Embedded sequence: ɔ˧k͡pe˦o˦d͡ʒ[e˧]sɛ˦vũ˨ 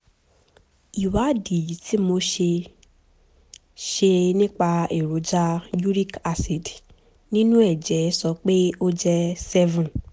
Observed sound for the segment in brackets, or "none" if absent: ɛ˧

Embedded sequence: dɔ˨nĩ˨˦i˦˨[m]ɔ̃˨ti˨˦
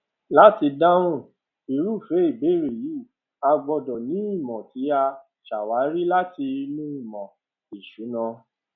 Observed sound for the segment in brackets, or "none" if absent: m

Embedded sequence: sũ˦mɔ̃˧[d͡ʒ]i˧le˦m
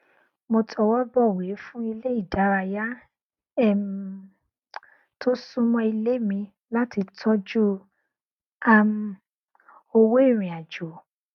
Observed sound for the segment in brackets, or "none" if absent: none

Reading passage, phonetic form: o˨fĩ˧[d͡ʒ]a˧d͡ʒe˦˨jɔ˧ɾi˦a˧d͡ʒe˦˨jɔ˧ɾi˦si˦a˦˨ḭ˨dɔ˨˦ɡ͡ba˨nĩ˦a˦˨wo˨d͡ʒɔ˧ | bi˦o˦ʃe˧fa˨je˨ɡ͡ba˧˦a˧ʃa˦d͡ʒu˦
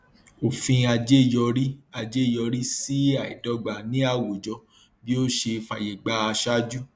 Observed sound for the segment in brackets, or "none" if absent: none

